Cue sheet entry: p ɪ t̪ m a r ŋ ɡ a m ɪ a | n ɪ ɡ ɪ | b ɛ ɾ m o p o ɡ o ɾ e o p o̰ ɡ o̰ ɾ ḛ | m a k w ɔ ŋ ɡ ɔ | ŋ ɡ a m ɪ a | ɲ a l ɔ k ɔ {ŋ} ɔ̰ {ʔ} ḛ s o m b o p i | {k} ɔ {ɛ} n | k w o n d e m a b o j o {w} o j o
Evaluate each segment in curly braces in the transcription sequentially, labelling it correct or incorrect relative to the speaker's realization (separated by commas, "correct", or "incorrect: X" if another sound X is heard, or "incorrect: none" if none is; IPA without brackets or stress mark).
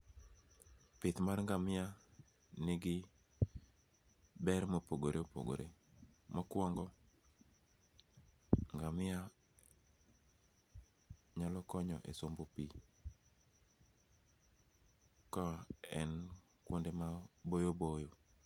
incorrect: ɲ, correct, correct, correct, incorrect: b